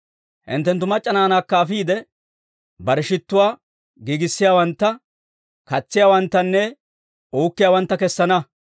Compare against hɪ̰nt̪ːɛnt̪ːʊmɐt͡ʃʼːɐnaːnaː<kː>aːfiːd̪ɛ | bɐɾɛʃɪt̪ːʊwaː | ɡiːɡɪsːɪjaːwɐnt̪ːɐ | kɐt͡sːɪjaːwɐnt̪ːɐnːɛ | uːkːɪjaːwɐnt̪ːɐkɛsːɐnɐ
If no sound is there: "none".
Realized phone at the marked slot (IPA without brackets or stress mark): kː